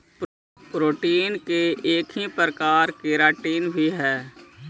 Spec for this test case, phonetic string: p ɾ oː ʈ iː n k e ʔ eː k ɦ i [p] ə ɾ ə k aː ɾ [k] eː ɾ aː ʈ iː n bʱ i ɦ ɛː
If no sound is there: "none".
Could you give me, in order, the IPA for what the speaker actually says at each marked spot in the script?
p, k

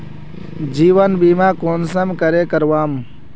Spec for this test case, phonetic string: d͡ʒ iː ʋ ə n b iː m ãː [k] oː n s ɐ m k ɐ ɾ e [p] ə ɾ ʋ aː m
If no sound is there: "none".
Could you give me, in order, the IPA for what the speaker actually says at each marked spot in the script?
k, k

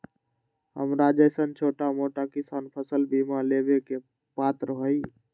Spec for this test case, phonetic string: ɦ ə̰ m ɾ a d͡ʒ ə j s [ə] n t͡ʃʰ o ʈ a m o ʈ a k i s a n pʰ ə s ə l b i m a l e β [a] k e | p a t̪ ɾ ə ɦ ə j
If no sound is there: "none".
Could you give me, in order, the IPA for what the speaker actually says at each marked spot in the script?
ə, e

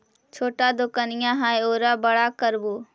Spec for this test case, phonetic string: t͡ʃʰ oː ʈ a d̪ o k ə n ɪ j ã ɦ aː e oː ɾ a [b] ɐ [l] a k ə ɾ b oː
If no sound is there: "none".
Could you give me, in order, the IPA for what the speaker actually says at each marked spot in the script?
b, ɽ

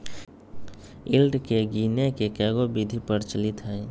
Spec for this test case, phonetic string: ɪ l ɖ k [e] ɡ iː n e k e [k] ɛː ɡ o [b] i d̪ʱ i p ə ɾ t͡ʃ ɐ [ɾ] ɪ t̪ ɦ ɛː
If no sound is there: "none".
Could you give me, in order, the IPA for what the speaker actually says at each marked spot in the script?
e, k, b, l

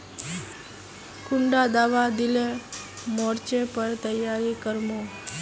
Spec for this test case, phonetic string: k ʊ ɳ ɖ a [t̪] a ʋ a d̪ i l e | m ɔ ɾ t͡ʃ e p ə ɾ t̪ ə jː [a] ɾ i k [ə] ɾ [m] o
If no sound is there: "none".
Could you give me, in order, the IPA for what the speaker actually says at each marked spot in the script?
d̪, a, ə, m

